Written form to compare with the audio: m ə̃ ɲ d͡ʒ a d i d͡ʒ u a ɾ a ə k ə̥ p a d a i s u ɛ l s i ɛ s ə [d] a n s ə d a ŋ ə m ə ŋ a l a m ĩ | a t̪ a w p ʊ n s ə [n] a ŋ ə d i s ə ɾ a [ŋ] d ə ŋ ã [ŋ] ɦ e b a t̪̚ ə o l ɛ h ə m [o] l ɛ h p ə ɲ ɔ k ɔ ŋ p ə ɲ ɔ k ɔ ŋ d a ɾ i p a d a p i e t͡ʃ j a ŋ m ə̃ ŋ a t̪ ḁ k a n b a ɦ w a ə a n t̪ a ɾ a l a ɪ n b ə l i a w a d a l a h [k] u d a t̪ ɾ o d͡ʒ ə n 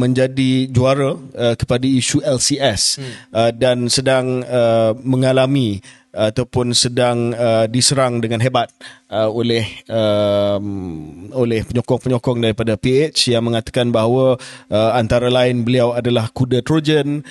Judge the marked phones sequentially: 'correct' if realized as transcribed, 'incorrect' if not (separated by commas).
correct, incorrect, correct, incorrect, correct, correct